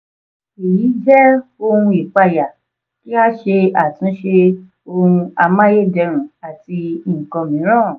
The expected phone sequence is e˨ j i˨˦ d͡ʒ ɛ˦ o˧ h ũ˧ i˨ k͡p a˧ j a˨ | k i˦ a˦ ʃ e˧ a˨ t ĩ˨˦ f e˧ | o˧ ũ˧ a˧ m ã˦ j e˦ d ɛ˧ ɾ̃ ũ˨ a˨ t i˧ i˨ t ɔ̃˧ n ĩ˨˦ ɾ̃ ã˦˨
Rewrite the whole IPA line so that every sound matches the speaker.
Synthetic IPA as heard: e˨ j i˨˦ d͡ʒ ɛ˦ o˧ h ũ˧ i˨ k͡p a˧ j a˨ | k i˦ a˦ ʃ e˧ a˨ t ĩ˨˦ ʃ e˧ | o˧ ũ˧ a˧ m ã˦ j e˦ d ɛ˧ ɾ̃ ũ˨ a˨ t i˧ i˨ k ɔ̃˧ m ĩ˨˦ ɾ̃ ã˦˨